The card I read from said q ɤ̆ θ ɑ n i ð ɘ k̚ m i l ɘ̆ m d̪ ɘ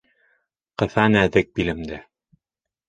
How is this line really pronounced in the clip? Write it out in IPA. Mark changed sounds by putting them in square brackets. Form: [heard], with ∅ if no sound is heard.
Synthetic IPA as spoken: q ɤ̆ θ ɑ n [æ] ð ɘ k̚ [b] i l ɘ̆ m d̪ ɘ